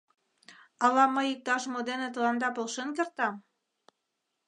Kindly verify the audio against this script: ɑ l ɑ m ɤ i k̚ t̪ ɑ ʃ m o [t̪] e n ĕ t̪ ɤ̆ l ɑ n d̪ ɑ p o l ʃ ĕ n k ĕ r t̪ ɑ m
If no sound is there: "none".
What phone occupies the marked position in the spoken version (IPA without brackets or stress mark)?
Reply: d̪